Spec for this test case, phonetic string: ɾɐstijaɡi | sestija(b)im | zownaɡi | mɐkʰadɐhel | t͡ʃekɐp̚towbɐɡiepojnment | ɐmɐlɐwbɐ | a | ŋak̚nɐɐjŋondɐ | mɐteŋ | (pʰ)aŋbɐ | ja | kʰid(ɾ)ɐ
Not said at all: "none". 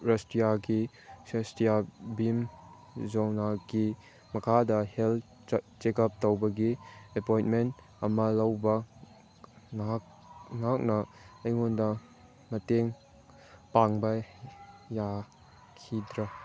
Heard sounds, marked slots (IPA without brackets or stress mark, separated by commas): b, p, ɾ